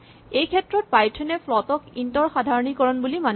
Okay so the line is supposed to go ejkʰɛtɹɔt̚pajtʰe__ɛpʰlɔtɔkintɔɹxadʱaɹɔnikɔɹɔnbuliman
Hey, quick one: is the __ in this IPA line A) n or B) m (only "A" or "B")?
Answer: A